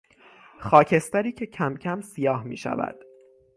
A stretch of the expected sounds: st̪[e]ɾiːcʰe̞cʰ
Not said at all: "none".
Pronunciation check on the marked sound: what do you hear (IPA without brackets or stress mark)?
æ